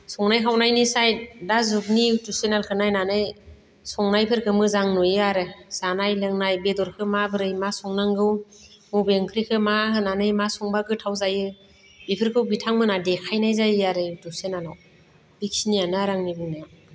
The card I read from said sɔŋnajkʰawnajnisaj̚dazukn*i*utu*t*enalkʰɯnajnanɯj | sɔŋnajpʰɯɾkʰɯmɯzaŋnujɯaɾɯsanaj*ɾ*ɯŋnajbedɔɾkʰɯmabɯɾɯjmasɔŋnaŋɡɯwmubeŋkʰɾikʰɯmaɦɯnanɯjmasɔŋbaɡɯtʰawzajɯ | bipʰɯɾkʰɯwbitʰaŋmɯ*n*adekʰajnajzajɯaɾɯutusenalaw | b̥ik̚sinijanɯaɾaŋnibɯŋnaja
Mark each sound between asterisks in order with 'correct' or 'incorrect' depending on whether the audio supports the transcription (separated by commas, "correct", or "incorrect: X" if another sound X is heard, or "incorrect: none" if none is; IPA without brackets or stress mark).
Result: correct, incorrect: s, incorrect: l, correct